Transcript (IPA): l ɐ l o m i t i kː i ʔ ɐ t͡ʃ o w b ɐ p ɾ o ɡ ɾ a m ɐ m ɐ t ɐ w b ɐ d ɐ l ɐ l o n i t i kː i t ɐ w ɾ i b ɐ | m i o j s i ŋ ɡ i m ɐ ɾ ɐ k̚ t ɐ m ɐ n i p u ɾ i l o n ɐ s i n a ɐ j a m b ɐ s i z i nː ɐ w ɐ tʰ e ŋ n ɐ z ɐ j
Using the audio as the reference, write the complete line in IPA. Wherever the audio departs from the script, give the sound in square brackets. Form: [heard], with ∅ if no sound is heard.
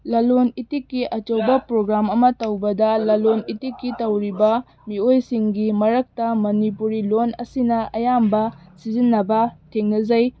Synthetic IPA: l ɐ l o [n] i t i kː i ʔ ɐ t͡ʃ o w b ɐ p ɾ o ɡ ɾ a m ɐ m ɐ t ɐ w b ɐ d ɐ l ɐ l o n i t i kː i t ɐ w ɾ i b ɐ | m i o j s i ŋ ɡ i m ɐ ɾ ɐ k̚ t ɐ m ɐ n i p u ɾ i l o n ɐ s i n [ɐ] ɐ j a m b ɐ s i z i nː ɐ [b] ɐ tʰ e ŋ n ɐ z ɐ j